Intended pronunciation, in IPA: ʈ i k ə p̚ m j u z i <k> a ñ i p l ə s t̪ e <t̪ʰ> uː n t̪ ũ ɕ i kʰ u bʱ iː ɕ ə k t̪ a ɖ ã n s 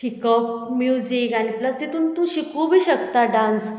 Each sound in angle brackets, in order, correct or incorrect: correct, incorrect: t̪

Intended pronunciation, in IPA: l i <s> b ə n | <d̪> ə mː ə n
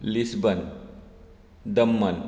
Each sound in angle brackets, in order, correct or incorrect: correct, correct

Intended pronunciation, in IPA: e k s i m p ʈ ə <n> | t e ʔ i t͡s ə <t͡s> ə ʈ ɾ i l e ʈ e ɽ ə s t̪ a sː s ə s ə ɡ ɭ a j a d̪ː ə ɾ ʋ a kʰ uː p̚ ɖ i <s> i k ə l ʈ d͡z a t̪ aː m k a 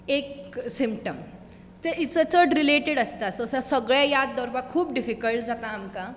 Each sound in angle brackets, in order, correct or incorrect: incorrect: m, correct, incorrect: f

